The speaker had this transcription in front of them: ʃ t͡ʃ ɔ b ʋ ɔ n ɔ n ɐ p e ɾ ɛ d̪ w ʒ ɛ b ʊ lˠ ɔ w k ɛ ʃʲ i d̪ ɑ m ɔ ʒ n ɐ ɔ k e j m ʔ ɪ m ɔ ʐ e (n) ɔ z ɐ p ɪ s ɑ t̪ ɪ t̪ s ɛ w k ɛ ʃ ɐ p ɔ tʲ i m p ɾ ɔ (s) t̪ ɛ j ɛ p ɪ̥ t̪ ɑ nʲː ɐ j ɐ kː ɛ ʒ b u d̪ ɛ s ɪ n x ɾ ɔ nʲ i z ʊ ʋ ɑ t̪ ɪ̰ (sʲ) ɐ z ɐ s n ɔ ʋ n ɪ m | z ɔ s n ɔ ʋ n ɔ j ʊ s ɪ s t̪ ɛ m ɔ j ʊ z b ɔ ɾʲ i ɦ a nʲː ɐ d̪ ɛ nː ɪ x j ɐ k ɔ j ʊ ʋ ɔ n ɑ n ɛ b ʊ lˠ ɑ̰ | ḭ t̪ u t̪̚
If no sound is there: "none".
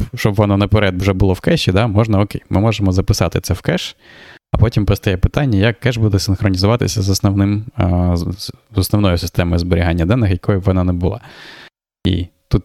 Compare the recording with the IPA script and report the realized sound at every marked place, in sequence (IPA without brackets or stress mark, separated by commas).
m, s, sʲ